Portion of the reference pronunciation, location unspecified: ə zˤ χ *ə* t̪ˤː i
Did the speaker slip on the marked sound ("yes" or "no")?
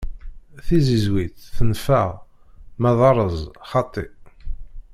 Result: yes